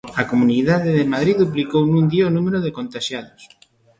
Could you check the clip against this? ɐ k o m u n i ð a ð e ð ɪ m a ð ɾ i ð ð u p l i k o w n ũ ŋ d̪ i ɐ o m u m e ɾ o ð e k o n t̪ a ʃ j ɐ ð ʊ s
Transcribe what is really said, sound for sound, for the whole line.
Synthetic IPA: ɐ k o m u n i ð a ð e ð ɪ m a ð ɾ i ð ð u p l i k o w n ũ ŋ d̪ i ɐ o n u m e ɾ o ð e k o n t̪ a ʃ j a ð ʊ s